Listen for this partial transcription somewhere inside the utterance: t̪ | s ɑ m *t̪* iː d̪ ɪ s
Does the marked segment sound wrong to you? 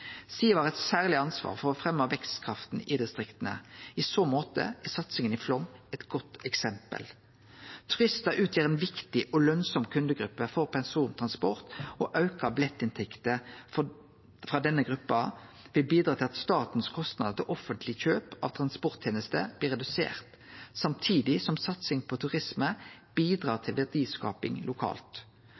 yes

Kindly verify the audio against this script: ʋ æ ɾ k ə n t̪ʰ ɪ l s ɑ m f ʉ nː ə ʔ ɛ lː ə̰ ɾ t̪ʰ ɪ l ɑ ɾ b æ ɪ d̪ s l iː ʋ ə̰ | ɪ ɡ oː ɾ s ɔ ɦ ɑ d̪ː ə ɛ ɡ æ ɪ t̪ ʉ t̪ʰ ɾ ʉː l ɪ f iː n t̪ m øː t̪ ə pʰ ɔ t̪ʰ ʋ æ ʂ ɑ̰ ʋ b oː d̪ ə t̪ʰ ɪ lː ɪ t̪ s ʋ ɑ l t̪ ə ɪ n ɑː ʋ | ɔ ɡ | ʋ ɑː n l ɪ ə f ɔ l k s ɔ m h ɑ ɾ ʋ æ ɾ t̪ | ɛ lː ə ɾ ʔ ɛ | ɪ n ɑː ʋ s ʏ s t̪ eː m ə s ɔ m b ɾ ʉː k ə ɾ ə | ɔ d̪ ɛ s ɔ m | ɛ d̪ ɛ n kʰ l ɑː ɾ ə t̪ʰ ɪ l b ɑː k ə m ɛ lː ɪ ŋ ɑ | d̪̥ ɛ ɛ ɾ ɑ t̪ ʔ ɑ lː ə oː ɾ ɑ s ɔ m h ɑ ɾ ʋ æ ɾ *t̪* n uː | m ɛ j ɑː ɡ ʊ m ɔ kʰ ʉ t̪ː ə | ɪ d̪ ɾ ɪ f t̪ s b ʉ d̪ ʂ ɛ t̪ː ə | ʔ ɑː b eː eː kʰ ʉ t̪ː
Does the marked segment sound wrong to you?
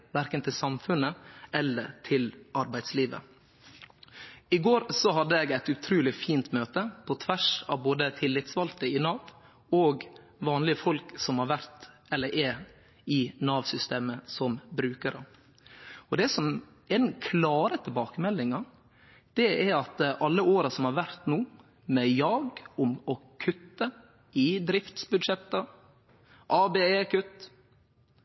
no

